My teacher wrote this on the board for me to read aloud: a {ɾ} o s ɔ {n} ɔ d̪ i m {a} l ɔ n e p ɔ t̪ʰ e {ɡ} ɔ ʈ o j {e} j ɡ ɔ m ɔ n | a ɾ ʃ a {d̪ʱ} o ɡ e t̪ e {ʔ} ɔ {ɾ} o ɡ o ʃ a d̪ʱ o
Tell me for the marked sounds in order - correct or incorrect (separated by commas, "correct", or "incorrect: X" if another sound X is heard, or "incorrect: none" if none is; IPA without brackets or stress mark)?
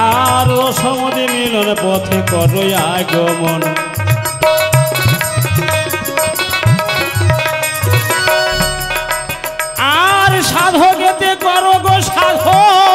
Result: correct, incorrect: m, incorrect: i, incorrect: k, incorrect: a, correct, incorrect: k, correct